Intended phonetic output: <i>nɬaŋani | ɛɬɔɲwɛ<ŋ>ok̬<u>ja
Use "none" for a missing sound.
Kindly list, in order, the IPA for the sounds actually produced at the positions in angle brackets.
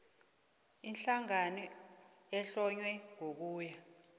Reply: i, ŋ, uː

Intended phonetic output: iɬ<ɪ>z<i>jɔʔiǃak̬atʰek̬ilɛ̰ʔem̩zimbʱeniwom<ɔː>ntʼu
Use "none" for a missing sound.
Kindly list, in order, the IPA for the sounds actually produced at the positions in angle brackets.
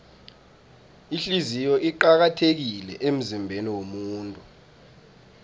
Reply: i, i, uː

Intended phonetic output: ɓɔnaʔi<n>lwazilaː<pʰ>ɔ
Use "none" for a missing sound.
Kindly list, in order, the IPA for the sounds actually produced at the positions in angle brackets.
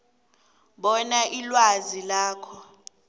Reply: none, kʰ

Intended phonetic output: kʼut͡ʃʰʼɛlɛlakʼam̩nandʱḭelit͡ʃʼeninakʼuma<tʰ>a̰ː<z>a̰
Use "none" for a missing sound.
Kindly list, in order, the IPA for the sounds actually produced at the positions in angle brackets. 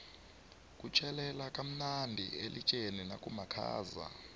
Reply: kʰ, z

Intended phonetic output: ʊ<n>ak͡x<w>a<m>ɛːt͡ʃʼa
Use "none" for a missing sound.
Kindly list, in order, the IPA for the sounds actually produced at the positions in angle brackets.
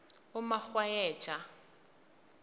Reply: m, w, none

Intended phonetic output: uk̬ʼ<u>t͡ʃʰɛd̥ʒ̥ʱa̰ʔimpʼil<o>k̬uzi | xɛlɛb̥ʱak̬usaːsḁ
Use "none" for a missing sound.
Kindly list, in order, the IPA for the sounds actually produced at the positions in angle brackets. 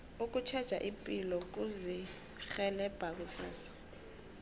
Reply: u, ɔ

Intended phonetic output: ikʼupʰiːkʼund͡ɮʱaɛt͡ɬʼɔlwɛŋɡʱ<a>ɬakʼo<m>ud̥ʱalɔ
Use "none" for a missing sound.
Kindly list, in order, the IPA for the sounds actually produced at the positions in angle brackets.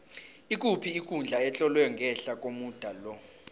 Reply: ɛ, m

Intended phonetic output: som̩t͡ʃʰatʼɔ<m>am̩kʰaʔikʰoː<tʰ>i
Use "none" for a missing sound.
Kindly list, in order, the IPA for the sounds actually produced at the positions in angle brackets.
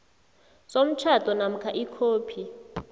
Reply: n, pʰ

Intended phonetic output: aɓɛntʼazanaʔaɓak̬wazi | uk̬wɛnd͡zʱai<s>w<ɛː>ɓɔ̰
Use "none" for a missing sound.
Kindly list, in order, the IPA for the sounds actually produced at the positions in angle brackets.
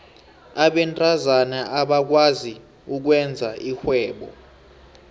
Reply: x, ɛː

